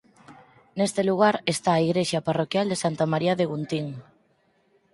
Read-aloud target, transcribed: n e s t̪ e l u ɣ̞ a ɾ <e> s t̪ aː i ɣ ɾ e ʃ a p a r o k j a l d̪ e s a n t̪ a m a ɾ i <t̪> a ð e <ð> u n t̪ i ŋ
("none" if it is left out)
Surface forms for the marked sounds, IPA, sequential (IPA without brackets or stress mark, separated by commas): e, none, ɣ